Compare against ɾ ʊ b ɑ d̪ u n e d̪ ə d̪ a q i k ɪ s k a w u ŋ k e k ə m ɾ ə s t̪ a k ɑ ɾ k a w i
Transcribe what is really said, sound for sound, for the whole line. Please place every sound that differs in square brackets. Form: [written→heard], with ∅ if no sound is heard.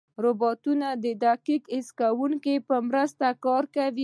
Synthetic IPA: ɾ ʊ b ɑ [d̪→t̪] u n [e→a] d̪ ə d̪ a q i k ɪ s k a w u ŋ k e [k→p] ə m ɾ ə s t̪ a k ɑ ɾ k a w i